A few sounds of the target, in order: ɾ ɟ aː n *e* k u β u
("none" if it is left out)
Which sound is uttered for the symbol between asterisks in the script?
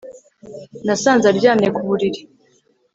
e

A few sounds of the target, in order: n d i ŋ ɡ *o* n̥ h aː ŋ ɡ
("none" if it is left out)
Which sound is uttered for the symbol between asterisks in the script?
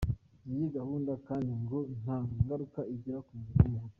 o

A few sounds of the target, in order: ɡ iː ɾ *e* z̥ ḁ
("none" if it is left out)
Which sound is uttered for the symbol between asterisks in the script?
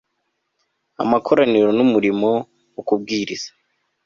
i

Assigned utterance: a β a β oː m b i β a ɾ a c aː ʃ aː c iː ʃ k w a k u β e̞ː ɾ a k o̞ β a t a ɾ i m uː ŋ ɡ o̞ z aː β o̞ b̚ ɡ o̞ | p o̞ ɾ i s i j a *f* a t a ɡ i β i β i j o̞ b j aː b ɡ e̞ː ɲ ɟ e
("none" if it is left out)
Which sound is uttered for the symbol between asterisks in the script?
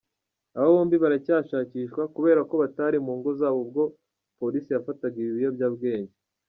f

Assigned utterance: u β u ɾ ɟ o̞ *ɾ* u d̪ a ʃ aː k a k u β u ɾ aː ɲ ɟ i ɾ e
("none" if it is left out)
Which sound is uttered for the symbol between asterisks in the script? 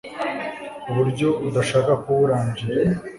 none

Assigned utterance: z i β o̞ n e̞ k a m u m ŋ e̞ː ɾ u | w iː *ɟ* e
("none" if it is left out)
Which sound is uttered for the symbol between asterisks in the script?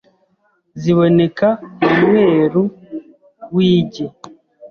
ɟ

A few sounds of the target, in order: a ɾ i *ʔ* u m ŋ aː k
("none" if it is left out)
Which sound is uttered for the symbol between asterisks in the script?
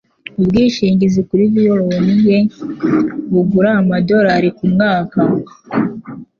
k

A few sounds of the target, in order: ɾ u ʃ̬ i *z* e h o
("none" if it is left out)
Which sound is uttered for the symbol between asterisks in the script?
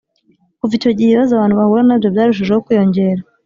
ʒ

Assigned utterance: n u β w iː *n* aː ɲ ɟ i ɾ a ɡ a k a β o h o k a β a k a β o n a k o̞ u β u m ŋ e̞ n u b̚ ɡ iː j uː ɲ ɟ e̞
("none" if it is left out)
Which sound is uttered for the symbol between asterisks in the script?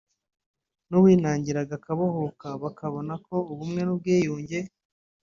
n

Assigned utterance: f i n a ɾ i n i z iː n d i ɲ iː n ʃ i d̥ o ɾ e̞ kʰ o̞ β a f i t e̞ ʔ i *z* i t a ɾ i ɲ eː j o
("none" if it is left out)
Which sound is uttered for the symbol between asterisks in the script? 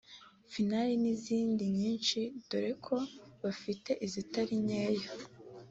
z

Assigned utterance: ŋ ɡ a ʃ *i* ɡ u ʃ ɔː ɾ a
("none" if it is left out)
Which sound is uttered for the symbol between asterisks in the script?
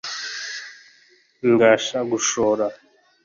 a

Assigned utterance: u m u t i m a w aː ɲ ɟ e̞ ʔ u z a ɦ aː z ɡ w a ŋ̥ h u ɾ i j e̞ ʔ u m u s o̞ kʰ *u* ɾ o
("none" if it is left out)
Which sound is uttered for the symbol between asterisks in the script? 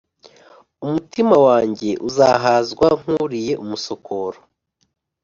o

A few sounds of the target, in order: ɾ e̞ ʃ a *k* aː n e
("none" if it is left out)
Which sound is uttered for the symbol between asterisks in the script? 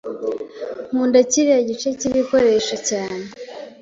c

